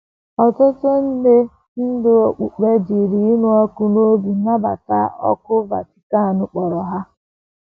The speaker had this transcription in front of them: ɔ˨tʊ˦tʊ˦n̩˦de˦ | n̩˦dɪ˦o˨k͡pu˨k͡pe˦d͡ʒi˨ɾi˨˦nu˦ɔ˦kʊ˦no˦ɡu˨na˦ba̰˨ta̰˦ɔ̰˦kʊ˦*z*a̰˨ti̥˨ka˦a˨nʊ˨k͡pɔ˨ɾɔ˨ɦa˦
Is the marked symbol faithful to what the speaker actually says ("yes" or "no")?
no